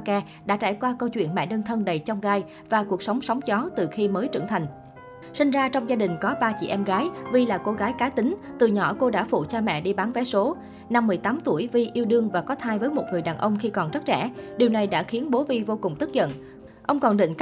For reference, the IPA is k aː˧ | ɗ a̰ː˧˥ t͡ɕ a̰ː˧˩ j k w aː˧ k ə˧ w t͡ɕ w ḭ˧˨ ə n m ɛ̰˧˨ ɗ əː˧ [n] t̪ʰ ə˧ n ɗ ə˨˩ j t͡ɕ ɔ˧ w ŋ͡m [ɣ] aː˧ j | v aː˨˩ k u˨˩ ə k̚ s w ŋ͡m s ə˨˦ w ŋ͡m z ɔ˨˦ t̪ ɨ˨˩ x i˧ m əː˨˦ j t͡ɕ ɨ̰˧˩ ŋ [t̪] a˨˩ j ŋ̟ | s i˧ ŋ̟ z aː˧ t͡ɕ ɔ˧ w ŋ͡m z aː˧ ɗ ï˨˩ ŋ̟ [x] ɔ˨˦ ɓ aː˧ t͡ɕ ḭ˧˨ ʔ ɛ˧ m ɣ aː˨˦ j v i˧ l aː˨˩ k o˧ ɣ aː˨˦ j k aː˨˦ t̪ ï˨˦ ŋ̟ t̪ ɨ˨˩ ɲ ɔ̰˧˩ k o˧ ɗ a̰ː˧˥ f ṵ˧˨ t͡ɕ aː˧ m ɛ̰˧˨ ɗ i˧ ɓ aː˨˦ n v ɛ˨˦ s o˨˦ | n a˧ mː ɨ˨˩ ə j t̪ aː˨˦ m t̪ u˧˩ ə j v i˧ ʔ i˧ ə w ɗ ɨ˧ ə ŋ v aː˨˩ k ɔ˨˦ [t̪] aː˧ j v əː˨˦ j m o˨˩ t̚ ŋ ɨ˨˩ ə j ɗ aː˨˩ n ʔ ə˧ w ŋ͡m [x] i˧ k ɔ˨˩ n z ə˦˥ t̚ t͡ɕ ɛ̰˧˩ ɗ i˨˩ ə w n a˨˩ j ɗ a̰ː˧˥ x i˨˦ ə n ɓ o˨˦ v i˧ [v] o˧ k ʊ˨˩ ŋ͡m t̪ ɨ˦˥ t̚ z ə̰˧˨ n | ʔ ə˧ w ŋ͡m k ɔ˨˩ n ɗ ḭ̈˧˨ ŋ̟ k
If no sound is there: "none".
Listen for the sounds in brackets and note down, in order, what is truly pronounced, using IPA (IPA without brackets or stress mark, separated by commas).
n, ɣ, t̪ʰ, k, t̪ʰ, x, v